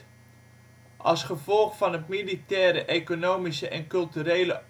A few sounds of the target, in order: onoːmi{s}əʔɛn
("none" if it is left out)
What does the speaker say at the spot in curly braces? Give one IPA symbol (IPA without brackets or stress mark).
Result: s